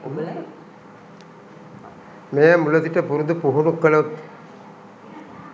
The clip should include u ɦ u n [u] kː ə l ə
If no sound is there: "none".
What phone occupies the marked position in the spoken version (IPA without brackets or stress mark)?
u